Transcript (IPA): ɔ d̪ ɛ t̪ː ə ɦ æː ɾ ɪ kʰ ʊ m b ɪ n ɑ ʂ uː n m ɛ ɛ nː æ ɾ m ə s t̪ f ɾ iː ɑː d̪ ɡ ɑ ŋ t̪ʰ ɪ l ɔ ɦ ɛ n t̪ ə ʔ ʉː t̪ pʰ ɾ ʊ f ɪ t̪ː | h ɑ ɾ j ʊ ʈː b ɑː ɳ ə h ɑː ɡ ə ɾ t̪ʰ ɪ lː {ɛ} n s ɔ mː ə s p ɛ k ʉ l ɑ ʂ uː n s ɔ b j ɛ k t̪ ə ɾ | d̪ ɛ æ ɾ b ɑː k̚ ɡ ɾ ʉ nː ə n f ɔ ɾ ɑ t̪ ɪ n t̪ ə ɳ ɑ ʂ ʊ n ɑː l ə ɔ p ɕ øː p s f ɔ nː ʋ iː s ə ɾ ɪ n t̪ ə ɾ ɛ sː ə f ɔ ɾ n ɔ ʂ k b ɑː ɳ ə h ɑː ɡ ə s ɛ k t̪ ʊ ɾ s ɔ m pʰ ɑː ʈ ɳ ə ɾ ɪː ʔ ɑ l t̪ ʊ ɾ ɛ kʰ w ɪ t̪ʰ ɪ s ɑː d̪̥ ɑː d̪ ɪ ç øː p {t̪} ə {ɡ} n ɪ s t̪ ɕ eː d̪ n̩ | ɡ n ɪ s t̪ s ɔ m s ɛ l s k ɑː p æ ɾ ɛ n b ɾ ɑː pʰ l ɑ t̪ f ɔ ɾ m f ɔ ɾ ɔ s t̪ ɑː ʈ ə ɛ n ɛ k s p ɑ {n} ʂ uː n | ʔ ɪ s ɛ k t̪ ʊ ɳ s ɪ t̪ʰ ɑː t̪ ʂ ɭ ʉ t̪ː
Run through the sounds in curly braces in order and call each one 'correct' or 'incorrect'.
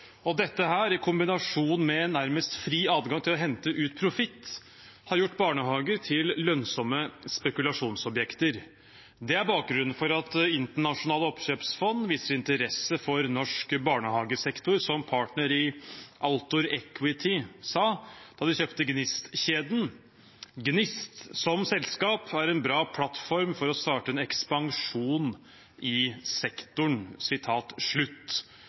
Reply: incorrect: œ, correct, correct, incorrect: ŋ

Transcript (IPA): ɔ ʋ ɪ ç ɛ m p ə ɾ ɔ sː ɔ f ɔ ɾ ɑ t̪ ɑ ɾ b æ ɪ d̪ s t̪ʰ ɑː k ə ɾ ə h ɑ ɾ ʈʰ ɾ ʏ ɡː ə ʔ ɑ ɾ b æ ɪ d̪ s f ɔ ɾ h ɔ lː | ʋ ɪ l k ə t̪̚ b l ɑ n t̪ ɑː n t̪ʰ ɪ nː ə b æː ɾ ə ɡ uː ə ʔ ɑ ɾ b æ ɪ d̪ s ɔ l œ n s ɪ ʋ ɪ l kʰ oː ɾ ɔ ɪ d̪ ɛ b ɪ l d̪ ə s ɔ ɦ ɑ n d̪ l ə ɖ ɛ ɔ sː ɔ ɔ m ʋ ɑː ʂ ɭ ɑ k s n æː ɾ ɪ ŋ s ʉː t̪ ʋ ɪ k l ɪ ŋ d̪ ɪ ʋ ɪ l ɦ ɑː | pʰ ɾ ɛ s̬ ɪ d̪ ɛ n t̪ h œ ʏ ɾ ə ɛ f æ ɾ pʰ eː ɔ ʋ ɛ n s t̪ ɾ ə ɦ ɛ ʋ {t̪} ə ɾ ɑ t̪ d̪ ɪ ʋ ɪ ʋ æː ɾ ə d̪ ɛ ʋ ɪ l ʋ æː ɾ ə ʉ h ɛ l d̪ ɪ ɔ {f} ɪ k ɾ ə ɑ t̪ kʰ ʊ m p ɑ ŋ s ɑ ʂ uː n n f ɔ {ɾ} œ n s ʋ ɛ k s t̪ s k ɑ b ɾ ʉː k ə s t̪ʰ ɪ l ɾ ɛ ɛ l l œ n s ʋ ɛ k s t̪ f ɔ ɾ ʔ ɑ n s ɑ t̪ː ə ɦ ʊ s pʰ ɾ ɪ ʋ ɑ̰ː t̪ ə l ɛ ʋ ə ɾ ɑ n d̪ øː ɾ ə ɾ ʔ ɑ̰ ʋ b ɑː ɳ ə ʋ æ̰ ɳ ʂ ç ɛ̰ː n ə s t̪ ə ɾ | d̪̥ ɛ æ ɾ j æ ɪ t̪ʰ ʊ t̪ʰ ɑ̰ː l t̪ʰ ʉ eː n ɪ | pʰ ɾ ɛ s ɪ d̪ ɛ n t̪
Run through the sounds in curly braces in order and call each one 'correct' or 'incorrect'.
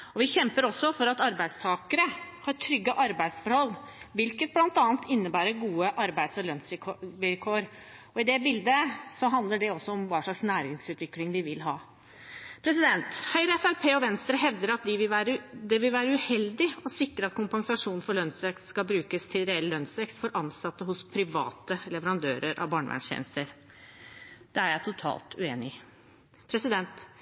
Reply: incorrect: d̪, incorrect: s, incorrect: ɭ

